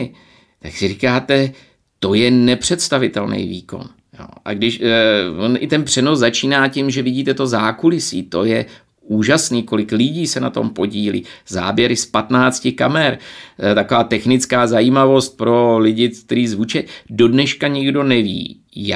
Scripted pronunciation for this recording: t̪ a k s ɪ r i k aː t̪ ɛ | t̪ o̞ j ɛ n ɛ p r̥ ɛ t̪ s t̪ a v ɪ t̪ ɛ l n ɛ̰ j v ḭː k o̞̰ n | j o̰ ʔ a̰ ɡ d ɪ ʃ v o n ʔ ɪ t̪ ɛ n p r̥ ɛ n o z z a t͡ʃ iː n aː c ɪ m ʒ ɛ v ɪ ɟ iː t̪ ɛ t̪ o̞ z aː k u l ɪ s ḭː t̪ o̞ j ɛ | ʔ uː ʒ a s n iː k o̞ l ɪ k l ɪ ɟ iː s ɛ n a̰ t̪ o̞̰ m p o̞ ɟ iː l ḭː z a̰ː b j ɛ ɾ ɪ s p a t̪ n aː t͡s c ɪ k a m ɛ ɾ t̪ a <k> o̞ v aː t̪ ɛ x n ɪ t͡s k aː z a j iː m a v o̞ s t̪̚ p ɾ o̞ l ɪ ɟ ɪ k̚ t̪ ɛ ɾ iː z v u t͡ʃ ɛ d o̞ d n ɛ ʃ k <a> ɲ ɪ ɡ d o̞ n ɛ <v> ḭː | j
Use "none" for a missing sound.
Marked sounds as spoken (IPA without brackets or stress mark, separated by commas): k, a, v